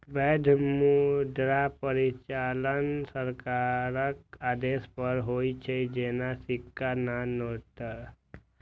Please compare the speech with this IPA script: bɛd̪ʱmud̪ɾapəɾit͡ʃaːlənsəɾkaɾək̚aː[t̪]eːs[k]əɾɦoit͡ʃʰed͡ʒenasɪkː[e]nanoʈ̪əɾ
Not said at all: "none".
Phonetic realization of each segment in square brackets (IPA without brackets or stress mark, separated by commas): d̪, p, a